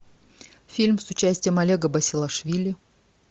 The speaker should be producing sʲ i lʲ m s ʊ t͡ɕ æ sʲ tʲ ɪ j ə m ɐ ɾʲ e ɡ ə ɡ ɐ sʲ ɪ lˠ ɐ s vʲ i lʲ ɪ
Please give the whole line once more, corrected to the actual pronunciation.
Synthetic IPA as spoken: fʲ i lʲ m s ʊ t͡ɕ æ sʲ tʲ ɪ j ə m ɐ lʲ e ɡ ə b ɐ sʲ ɪ lˠ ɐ ʂ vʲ i lʲ ɪ